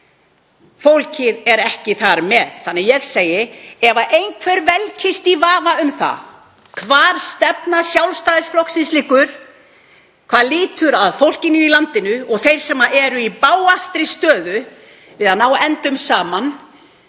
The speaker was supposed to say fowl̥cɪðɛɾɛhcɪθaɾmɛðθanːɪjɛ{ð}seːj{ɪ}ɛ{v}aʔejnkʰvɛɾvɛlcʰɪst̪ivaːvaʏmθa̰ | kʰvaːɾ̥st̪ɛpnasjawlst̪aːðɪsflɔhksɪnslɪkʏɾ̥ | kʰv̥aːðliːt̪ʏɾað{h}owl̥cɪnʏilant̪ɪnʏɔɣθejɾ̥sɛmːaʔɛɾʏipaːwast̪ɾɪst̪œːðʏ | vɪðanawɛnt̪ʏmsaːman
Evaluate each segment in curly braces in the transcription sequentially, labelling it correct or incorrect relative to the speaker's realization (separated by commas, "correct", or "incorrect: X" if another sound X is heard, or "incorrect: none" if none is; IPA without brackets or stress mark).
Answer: incorrect: ɣ, correct, correct, incorrect: f